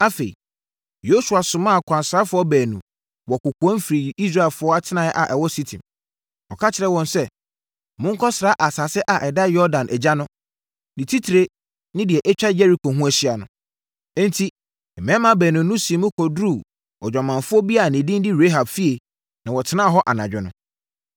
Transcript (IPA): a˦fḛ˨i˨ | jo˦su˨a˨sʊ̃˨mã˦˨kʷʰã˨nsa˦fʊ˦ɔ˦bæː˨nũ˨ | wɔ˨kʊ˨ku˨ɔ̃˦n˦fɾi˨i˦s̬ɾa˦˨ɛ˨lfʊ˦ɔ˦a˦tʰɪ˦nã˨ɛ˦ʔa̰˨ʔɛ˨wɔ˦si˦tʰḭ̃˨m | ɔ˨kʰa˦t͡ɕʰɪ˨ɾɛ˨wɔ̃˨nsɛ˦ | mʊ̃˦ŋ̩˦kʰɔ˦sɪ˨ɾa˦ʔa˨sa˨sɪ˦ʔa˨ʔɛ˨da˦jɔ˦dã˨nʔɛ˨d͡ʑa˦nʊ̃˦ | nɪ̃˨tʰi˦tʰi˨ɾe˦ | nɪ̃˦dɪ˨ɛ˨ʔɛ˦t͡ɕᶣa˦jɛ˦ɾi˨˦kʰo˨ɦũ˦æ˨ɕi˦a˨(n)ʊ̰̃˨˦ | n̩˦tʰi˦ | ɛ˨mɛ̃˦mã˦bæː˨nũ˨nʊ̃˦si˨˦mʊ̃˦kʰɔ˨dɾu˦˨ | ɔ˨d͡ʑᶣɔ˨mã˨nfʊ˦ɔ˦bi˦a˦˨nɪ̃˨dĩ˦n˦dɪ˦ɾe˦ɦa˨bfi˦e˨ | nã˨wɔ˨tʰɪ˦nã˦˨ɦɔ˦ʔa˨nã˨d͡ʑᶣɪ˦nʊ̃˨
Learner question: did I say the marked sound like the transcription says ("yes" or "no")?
yes